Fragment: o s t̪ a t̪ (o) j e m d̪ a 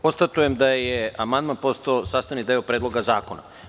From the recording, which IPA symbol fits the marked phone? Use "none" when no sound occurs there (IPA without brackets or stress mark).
u